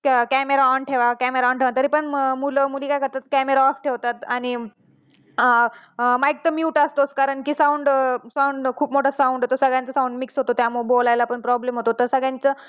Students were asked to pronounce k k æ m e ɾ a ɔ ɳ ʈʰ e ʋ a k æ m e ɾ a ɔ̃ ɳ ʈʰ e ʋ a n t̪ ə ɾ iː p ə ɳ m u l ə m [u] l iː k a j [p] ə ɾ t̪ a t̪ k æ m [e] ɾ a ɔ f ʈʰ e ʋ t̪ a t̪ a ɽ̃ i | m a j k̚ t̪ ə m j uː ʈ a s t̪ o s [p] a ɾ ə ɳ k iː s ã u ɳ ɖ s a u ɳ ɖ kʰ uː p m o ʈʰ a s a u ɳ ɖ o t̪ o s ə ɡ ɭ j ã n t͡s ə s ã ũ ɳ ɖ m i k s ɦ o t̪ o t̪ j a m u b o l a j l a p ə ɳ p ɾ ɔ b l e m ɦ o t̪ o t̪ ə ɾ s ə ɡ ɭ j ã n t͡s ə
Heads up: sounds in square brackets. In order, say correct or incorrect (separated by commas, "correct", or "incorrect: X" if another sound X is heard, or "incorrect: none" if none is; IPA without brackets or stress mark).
correct, incorrect: k, correct, incorrect: k